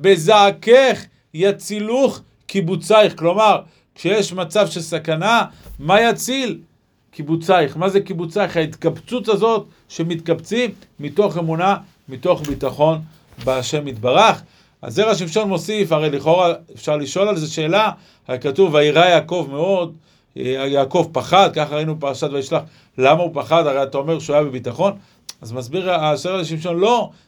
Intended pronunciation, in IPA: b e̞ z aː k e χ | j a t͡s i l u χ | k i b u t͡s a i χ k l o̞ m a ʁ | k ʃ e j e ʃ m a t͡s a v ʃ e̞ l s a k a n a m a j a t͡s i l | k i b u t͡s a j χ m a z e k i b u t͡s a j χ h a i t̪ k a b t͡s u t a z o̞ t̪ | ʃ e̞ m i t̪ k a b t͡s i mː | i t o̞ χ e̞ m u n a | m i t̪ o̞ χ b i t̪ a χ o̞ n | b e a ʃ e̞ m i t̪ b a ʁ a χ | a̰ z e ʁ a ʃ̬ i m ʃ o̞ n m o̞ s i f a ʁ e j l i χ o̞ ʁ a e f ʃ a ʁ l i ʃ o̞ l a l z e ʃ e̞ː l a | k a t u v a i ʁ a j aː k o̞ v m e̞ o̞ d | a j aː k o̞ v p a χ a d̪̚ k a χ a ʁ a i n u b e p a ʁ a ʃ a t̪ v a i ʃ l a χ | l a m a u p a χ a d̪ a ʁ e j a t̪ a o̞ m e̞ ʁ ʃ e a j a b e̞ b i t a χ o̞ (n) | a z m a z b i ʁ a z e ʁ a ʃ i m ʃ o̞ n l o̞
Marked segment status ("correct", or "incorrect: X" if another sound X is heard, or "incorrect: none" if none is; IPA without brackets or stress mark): correct